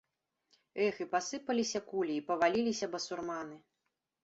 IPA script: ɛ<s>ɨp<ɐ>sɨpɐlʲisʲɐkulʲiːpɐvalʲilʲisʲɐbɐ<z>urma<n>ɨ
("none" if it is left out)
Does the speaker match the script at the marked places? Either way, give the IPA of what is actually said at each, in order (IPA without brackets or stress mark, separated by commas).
x, a, s, n